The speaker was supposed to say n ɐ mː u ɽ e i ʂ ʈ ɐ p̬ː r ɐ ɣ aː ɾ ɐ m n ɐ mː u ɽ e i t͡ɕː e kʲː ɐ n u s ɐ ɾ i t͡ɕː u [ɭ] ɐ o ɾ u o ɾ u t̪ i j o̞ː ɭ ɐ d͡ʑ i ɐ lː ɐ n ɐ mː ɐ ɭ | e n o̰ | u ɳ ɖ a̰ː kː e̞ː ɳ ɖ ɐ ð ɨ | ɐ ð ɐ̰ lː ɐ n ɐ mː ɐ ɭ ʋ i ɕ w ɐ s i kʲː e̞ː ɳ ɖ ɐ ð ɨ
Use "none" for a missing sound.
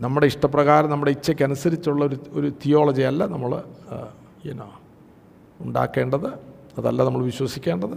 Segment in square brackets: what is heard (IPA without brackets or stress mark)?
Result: ɭː